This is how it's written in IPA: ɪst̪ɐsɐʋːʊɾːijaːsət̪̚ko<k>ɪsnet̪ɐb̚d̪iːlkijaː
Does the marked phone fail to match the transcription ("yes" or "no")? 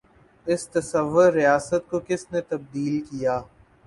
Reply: no